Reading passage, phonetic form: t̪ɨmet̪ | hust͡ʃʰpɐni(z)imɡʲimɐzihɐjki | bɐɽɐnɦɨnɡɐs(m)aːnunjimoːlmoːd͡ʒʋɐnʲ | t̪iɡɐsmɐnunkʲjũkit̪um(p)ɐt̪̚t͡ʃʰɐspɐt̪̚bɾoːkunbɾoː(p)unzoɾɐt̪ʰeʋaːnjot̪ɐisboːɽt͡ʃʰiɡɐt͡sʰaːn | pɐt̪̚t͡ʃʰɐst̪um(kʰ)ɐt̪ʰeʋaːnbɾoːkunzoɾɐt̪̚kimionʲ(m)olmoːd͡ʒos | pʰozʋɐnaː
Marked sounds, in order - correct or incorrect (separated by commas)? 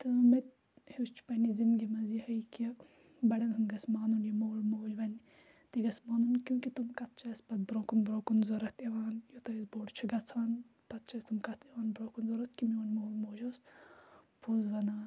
correct, correct, incorrect, incorrect, incorrect, correct